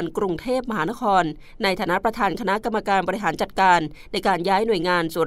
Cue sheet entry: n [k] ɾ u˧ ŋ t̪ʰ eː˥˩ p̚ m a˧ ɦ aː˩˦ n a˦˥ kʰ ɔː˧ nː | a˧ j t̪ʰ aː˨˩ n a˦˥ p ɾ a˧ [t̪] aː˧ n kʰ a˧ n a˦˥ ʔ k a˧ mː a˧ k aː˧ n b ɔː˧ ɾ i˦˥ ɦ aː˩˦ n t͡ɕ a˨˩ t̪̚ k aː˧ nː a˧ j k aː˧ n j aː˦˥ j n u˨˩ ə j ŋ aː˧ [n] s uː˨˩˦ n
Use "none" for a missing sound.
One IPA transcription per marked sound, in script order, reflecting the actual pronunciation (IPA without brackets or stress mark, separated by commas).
k, t̪ʰ, n